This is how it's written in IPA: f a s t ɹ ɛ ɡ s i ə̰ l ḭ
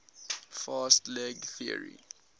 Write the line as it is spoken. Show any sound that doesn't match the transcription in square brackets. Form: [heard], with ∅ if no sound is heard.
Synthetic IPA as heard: f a s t [l] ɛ ɡ [θ] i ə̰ [ɹ] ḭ